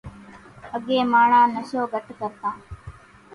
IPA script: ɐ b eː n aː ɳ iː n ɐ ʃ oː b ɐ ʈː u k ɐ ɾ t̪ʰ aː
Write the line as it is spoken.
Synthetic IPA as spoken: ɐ ɡ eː m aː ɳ aː n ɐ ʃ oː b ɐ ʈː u k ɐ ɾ t̪ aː

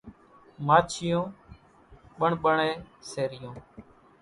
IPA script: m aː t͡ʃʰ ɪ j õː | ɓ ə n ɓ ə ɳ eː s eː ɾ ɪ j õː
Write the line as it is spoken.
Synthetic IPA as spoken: m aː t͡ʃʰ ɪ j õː | ɓ ə ɳ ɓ ə ɳ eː s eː ɾ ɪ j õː

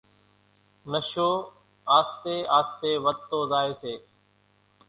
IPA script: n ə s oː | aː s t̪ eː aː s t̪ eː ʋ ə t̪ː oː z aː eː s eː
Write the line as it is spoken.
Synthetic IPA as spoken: n ə ʃ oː | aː s t̪ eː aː s t̪ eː ʋ ə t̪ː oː z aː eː s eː

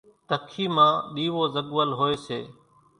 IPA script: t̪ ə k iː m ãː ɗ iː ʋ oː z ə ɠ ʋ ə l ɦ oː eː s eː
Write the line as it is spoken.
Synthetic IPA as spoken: t̪ ə kʰ iː m ãː ɗ iː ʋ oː z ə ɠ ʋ ə l ɦ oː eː s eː

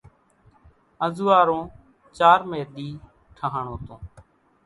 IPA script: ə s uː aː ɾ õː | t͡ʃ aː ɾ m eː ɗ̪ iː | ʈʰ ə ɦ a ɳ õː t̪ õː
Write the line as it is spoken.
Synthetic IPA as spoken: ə z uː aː ɾ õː | t͡ʃ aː ɾ m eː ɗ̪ iː | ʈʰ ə ɦ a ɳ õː t̪ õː

